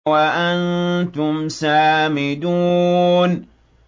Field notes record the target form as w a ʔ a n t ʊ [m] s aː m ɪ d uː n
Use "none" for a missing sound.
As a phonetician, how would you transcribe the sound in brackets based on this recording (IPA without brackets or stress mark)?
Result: m